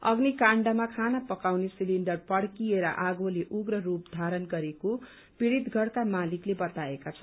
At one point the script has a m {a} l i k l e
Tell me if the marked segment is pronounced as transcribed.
yes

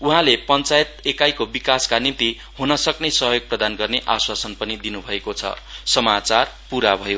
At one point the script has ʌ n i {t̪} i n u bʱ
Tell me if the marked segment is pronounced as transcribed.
no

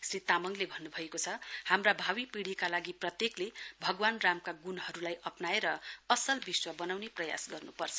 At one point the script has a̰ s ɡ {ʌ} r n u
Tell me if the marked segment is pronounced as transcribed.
yes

